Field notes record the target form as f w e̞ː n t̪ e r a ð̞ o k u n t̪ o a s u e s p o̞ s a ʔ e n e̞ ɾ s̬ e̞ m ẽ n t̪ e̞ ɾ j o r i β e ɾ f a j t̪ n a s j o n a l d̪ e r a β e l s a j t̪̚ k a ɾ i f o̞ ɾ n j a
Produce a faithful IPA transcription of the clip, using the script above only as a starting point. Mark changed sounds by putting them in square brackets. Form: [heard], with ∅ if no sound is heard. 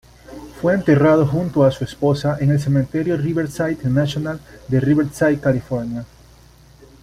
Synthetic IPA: f w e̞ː n t̪ e r a ð̞ o [x] u n t̪ o a s u e s p o̞ s a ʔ e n e̞ [l] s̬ e̞ m ẽ n t̪ e̞ ɾ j o r i β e ɾ [s] a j t̪ n a s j o n a l d̪ e r [i] β e [ɾ] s a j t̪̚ k a [l] i f o̞ ɾ n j a